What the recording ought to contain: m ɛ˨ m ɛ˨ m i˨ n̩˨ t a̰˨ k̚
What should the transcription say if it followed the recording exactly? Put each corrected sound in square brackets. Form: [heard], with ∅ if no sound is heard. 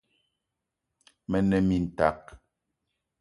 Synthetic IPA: m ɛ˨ [n] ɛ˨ m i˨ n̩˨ t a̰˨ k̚